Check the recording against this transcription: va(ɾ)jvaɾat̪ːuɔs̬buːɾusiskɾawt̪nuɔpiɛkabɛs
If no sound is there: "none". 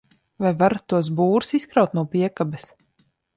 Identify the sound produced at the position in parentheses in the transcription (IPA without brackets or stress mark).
none